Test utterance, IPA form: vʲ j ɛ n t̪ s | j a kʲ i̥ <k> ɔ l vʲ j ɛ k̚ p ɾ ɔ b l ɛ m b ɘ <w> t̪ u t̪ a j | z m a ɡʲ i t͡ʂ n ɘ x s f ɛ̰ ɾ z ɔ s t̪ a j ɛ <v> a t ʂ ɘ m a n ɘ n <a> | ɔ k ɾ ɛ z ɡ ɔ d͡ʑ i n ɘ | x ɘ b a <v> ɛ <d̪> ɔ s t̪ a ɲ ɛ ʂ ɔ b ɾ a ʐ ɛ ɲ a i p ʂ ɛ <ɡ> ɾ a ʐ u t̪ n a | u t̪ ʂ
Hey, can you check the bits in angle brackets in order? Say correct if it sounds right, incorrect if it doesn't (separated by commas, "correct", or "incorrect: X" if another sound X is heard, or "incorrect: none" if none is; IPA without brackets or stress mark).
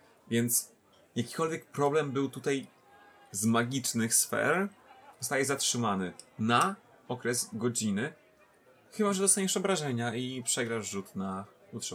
correct, correct, incorrect: z, correct, incorrect: ʐ, correct, correct